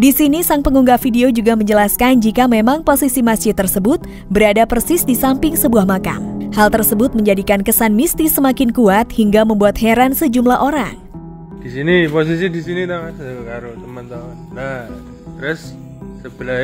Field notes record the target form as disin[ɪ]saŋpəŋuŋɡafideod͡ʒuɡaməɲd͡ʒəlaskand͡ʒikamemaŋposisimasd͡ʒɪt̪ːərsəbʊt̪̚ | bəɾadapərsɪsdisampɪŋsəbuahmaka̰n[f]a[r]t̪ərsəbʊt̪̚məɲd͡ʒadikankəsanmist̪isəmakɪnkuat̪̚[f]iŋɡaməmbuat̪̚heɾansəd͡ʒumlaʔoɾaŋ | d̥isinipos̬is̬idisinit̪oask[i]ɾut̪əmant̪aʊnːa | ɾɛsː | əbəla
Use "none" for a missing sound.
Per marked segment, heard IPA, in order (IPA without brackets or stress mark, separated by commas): i, h, l, h, a